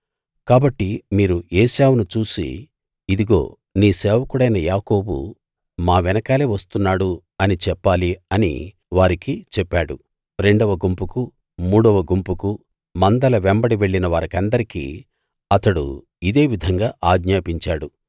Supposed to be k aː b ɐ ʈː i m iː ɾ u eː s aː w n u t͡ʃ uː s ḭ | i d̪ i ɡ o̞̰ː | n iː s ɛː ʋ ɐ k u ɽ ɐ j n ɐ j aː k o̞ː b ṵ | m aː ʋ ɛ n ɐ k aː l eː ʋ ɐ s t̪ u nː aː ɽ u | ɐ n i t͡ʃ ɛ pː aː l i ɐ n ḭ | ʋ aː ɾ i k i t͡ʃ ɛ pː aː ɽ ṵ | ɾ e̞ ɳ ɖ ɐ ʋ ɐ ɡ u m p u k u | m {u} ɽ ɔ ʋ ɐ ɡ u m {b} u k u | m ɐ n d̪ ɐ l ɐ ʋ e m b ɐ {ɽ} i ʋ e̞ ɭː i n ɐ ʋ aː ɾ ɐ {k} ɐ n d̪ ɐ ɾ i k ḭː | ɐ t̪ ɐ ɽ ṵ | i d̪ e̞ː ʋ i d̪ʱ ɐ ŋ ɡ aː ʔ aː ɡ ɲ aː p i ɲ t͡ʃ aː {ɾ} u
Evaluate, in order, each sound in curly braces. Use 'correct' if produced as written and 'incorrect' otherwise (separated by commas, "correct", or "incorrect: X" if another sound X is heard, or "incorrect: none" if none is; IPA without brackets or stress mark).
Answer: incorrect: uː, incorrect: p, correct, correct, incorrect: ɽ